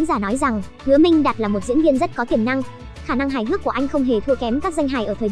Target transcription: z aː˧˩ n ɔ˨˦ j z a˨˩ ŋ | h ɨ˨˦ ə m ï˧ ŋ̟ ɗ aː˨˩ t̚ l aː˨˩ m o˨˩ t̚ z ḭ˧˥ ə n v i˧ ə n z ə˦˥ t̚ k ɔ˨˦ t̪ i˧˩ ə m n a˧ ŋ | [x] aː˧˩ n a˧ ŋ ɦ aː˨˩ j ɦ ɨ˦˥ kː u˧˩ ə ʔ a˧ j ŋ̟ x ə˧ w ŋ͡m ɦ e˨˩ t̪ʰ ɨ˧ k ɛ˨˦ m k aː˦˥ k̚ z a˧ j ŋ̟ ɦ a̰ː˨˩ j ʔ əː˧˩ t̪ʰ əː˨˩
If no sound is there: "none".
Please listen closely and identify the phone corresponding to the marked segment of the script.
x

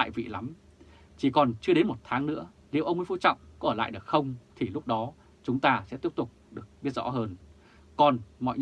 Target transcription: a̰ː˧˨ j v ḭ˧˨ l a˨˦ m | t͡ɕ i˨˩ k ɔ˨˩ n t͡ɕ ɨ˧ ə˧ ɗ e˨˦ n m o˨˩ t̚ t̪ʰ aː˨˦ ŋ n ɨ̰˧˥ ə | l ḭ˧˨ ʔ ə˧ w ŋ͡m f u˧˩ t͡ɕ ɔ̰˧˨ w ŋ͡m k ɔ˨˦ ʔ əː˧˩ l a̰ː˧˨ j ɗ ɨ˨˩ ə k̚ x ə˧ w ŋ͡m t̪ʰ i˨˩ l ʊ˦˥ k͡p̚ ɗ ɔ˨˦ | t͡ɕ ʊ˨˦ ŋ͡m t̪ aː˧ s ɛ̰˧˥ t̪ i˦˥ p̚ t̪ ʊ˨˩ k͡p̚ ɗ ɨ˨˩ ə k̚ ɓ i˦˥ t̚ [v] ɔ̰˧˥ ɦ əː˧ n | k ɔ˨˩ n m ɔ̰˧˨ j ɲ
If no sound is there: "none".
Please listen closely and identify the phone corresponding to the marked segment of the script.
z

